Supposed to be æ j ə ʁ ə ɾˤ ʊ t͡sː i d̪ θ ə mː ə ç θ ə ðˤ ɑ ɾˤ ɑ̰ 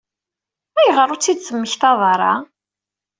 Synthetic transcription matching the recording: æ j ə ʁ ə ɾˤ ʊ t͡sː i d̪ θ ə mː ə ç θ ɑ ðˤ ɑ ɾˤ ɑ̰